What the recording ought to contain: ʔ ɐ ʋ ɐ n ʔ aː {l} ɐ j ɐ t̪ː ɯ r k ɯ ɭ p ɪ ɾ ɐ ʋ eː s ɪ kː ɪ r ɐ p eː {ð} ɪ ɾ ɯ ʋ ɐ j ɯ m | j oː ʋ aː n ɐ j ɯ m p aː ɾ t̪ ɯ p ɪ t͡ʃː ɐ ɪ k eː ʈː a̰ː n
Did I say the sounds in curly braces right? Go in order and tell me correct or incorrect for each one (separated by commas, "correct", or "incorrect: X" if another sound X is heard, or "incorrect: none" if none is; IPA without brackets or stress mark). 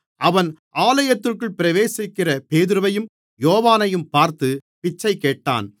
correct, correct